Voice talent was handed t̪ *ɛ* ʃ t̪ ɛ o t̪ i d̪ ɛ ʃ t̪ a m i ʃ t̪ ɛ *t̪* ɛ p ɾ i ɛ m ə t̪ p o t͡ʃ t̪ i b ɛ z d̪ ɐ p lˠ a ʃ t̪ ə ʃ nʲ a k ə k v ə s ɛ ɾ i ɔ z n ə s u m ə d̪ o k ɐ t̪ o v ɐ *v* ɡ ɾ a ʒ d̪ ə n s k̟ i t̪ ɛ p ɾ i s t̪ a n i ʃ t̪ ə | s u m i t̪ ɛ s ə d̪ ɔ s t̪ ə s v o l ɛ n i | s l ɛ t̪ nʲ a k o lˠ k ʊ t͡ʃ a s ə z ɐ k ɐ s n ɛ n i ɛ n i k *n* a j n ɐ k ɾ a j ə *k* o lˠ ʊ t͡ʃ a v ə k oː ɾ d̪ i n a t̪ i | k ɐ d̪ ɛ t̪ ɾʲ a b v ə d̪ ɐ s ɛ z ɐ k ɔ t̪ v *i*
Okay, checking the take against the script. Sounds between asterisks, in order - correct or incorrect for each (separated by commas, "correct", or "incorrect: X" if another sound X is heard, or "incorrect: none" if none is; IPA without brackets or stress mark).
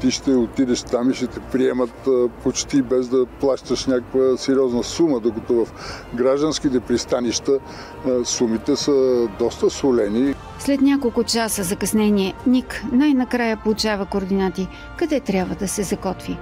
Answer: incorrect: i, correct, incorrect: f, correct, incorrect: p, correct